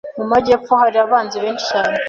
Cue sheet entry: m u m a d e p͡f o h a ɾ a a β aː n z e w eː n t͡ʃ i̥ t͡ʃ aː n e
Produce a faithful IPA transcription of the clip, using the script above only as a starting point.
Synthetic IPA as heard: m u m a ɟ e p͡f o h a ɾ i a β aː n z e β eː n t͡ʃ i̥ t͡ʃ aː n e